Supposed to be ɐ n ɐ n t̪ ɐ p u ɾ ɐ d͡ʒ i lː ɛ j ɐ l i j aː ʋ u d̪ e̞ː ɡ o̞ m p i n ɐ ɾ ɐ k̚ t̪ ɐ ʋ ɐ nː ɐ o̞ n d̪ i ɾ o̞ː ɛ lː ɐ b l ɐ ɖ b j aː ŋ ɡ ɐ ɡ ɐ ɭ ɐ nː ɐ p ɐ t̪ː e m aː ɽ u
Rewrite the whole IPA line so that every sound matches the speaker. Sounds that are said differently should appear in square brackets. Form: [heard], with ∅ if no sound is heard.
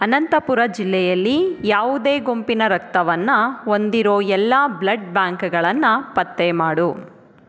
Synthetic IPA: ɐ n ɐ n t̪ ɐ p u ɾ ɐ d͡ʒ i lː ɛ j ɐ [lː] i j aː ʋ u d̪ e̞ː ɡ o̞ m p i n ɐ ɾ ɐ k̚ t̪ ɐ ʋ ɐ nː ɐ o̞ n d̪ i ɾ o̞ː ɛ lː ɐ b l ɐ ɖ b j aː ŋ [k] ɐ ɡ ɐ ɭ ɐ nː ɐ p ɐ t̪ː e m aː ɽ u

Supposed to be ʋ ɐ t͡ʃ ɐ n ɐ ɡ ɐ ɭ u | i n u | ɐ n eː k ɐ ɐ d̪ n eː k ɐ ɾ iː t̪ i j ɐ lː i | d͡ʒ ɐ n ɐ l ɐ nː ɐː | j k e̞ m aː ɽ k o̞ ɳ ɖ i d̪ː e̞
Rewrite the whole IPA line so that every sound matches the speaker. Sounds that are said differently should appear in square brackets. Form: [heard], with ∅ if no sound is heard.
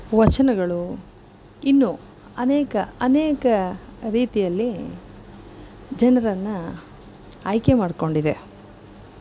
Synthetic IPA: ʋ ɐ t͡ʃ ɐ n ɐ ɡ ɐ ɭ u | i [nː] u | ɐ n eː k ɐ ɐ [∅] n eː k ɐ ɾ iː t̪ i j ɐ lː i | d͡ʒ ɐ n ɐ [ɾ] ɐ nː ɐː | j k e̞ m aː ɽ k o̞ ɳ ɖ i [d̪] e̞

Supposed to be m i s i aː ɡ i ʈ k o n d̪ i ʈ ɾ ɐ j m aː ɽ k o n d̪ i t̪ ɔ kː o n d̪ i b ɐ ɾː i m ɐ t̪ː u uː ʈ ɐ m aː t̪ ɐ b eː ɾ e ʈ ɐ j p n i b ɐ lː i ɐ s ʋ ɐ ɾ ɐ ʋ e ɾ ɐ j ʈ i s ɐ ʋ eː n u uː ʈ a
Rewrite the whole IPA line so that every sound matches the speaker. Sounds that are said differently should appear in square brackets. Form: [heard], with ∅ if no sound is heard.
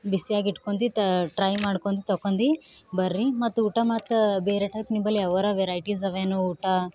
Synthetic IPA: [b] i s i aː ɡ i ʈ k o n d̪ i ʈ ɾ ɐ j m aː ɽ k o n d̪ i t̪ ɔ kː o n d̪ i b ɐ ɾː i m ɐ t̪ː u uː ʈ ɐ m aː t̪ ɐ b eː ɾ e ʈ ɐ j p n i b ɐ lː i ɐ [∅] ʋ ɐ ɾ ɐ ʋ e ɾ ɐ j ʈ i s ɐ ʋ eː n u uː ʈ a

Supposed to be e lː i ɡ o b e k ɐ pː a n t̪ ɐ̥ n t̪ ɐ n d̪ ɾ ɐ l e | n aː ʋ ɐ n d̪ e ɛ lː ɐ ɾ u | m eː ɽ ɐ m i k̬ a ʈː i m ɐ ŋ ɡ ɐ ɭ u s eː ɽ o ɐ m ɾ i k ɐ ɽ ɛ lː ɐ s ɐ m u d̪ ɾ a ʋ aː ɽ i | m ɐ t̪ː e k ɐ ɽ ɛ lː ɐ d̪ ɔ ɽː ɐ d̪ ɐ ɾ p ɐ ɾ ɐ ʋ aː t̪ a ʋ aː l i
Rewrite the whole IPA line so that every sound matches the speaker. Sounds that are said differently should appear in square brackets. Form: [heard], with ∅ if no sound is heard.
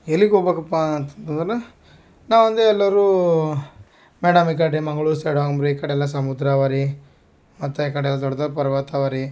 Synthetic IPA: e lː i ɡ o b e k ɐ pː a n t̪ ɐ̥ n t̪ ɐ n d̪ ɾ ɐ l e | n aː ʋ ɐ n d̪ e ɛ lː ɐ ɾ u | m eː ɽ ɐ m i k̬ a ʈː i m ɐ ŋ ɡ ɐ ɭ u s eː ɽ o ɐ m ɾ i k ɐ ɽ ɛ lː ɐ s ɐ m u d̪ ɾ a ʋ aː [ɾ] i | m ɐ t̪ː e k ɐ ɽ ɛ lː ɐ d̪ ɔ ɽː ɐ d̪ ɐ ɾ p ɐ ɾ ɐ ʋ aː t̪ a ʋ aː [ɾ] i

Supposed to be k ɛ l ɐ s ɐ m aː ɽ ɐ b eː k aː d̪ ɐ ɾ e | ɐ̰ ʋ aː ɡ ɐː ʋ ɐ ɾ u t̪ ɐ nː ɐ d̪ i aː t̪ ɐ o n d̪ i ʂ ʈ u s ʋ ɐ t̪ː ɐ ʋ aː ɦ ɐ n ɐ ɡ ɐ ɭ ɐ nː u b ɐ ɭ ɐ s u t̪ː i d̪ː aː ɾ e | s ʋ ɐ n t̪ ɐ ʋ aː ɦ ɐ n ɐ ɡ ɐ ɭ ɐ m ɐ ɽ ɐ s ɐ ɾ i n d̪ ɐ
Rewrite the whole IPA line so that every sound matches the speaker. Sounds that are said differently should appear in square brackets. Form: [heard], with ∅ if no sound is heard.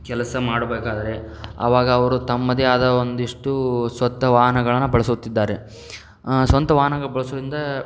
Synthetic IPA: k ɛ l ɐ s ɐ m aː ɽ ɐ b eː k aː d̪ ɐ ɾ e | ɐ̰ ʋ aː ɡ ɐː ʋ ɐ ɾ u t̪ ɐ [mː] ɐ d̪ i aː [d̪] ɐ o n d̪ i ʂ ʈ u s ʋ ɐ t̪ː ɐ ʋ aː ɦ ɐ n ɐ ɡ ɐ ɭ ɐ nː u b ɐ ɭ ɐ s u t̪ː i d̪ː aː ɾ e | s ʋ ɐ n t̪ ɐ ʋ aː ɦ ɐ n ɐ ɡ ɐ ɭ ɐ [b] ɐ [ɭ] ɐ s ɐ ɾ i n d̪ ɐ

